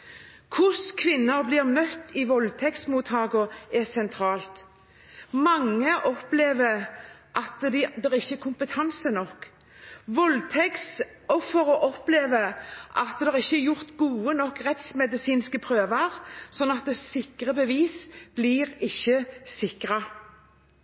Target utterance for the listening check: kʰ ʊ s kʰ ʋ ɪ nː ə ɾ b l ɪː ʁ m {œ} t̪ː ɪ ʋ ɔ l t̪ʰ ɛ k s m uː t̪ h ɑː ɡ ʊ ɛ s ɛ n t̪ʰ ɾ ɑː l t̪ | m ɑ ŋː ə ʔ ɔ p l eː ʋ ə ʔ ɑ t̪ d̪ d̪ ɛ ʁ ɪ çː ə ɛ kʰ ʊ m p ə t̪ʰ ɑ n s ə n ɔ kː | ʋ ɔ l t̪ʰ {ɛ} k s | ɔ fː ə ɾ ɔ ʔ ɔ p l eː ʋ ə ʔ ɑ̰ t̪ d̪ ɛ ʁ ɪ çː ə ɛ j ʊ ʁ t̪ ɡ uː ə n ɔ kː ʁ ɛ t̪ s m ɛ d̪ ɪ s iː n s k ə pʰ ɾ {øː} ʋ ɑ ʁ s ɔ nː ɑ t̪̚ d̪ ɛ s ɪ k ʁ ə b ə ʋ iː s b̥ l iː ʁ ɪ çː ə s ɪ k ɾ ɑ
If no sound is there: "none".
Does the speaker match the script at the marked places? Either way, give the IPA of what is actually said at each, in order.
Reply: œ, ɛ, øː

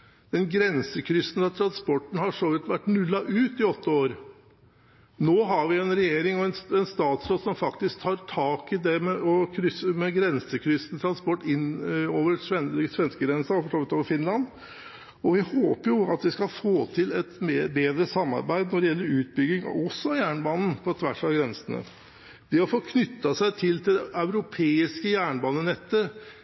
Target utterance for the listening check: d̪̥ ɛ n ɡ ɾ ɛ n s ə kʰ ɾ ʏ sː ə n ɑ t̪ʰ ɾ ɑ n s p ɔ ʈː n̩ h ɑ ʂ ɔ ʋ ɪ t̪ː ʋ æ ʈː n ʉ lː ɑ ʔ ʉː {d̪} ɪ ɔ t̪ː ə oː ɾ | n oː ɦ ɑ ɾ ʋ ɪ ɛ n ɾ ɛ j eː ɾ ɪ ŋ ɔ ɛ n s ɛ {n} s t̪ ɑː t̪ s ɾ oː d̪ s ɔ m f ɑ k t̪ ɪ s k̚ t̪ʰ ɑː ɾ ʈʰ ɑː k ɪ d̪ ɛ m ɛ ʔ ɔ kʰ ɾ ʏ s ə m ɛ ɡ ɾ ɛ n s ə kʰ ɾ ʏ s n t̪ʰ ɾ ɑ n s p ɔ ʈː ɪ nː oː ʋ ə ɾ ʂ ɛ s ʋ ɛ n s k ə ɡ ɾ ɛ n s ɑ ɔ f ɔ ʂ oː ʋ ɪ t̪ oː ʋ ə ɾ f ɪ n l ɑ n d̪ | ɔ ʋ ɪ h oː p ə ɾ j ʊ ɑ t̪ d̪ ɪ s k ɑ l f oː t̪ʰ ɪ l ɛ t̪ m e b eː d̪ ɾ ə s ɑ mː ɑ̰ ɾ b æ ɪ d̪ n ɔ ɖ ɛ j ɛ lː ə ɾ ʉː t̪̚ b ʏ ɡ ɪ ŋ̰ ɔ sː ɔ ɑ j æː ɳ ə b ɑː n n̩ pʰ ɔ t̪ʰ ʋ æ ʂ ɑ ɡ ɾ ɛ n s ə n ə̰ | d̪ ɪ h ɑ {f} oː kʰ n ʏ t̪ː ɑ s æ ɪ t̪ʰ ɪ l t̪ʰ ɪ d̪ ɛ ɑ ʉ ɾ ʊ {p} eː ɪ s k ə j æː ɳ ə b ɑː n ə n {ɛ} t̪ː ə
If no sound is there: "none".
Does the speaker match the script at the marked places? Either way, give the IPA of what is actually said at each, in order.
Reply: t̪, n, f, pʰ, ɛ

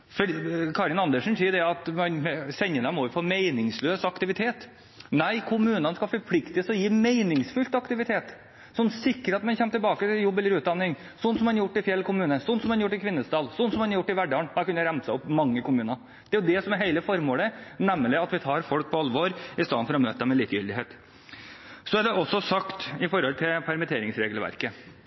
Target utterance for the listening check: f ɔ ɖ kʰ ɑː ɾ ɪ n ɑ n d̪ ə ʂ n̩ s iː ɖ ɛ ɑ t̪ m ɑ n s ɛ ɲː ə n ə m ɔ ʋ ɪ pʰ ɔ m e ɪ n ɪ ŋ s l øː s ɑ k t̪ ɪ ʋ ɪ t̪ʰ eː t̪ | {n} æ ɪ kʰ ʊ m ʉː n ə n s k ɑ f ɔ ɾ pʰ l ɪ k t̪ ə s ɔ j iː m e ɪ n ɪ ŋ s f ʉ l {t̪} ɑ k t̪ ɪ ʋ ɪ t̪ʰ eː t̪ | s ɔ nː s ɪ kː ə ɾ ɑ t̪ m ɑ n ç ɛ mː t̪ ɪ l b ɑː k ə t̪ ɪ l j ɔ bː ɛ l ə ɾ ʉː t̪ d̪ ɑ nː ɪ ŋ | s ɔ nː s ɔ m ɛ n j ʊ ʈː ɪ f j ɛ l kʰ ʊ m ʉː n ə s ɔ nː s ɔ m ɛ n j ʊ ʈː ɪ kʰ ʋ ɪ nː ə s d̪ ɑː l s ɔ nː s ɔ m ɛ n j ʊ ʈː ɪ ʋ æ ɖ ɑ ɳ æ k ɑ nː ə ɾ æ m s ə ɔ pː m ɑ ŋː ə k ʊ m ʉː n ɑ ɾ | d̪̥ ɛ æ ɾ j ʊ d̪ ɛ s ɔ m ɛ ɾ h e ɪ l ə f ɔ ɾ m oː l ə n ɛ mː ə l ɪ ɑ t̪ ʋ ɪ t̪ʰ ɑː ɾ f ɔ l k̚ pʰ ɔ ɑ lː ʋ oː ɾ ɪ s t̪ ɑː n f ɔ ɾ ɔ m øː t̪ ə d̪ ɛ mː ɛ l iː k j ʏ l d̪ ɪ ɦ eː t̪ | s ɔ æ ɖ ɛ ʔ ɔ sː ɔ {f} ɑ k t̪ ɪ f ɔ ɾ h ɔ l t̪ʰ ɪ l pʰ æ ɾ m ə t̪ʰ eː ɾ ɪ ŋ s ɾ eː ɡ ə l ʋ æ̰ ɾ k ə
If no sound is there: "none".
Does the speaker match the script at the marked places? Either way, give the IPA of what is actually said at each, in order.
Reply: n, t̪, s

